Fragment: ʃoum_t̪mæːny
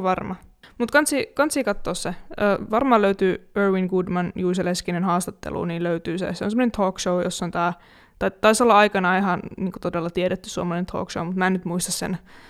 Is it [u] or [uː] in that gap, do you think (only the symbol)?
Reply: u